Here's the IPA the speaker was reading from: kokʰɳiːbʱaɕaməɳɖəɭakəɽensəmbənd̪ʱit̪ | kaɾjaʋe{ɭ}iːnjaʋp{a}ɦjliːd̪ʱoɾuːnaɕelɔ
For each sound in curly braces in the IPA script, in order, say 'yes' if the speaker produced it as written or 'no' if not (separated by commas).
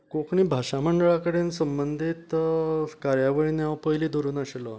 yes, no